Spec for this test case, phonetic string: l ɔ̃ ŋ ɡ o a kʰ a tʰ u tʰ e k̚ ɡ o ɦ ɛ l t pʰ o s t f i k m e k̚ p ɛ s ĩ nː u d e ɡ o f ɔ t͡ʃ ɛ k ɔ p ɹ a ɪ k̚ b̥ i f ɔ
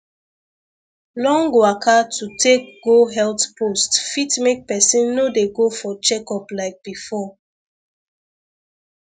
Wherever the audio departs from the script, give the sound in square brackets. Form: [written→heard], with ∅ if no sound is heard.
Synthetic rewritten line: l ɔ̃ ŋ ɡ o a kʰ a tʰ u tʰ e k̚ ɡ o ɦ ɛ l t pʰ o s t f i [k→t] m e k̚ p ɛ s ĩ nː [u→o] d e ɡ o f ɔ t͡ʃ ɛ k ɔ p [ɹ→l] a ɪ k̚ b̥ i f ɔ